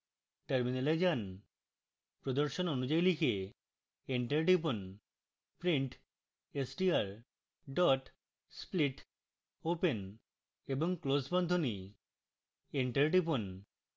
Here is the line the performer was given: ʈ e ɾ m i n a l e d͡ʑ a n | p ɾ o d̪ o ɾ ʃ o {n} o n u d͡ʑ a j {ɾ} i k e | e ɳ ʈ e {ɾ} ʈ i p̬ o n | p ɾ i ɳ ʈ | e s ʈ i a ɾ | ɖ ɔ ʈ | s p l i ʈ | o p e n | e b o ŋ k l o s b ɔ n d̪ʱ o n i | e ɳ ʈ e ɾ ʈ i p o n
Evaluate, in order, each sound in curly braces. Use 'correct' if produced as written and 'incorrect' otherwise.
correct, incorrect, correct

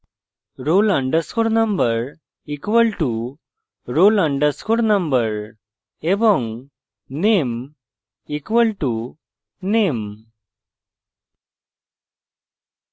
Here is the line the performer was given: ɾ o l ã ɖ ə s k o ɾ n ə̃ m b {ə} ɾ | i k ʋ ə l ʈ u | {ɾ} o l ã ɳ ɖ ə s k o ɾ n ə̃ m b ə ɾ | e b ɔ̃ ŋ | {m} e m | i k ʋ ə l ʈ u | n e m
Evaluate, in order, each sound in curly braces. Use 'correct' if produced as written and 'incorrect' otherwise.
correct, correct, incorrect

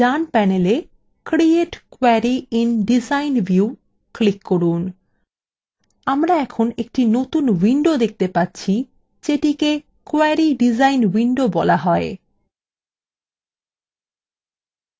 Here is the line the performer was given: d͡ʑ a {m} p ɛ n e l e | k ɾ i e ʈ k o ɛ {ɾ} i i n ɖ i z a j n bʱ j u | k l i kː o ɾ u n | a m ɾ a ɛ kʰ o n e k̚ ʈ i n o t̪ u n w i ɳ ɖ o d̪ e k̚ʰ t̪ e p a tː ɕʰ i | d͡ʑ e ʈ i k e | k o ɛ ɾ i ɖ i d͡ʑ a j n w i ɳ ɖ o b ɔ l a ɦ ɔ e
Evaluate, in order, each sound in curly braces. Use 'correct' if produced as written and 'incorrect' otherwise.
incorrect, correct

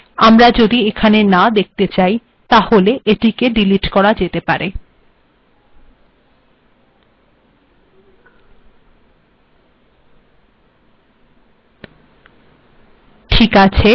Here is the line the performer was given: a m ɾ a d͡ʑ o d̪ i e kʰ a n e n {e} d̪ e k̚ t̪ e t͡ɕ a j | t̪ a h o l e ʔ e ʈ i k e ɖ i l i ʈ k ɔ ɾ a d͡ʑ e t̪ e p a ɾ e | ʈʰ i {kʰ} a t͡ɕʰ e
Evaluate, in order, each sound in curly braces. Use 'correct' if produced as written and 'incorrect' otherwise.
incorrect, incorrect

